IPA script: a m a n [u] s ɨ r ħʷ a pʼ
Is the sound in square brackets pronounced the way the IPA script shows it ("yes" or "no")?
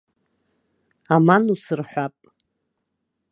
yes